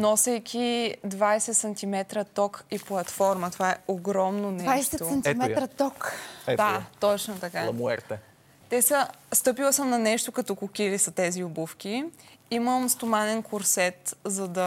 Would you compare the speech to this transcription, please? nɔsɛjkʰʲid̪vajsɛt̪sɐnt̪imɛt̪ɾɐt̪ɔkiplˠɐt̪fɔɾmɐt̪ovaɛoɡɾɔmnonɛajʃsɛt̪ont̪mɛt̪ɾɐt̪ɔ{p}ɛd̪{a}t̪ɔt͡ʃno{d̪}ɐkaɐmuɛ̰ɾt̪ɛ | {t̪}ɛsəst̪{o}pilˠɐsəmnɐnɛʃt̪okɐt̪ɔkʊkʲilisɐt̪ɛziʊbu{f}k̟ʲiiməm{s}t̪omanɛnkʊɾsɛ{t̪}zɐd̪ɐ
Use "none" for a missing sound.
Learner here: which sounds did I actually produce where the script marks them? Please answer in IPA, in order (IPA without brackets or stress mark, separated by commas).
k, a, t̪, t̪, ɤ, f, s, t̪